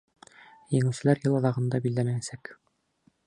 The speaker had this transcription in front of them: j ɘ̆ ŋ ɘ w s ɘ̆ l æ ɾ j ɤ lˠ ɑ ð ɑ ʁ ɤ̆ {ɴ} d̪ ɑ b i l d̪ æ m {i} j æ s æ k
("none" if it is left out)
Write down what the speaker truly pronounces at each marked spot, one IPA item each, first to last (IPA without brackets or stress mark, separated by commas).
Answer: n, æ